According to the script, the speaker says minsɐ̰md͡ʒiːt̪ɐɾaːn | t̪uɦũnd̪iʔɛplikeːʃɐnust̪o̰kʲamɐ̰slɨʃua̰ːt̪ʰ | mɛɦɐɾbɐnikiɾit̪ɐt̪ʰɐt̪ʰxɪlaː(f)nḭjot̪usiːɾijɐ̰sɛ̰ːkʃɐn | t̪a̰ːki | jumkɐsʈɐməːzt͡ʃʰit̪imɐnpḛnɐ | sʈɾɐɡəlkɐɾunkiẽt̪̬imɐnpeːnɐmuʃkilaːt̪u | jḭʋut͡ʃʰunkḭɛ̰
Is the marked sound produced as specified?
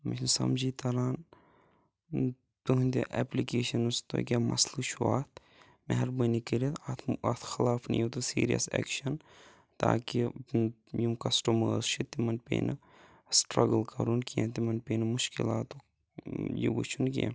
yes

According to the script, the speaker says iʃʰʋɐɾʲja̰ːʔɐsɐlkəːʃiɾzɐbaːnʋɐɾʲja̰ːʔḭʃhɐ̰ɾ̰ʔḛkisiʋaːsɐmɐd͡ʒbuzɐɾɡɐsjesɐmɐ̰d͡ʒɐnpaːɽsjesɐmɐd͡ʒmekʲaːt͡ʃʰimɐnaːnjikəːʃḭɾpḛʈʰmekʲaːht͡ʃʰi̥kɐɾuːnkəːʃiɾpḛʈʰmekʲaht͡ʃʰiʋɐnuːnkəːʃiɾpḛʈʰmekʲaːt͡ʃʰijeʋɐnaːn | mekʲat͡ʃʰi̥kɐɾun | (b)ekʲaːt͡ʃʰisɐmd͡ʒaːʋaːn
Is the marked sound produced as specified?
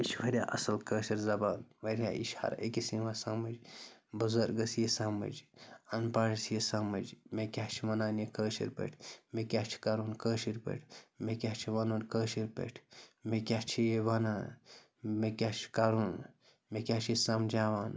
no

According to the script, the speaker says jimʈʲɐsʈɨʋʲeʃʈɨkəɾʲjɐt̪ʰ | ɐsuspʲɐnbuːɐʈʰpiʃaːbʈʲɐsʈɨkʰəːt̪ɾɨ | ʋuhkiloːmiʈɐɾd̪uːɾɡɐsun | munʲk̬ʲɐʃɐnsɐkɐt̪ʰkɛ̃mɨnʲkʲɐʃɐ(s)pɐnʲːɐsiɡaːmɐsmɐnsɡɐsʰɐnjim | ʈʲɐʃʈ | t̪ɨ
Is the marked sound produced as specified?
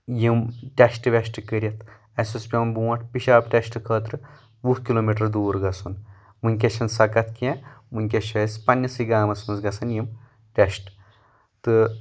yes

